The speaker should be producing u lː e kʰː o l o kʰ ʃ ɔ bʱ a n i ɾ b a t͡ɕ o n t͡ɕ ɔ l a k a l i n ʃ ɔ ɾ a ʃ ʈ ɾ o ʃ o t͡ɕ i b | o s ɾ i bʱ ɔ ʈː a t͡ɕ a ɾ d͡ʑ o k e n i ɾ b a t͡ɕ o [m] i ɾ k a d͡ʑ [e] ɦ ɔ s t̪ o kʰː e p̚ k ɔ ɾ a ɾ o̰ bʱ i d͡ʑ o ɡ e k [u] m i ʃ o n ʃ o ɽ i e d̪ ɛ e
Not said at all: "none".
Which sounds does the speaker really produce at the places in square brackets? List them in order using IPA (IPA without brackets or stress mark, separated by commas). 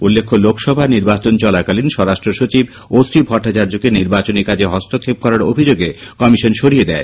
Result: n, e, ɔ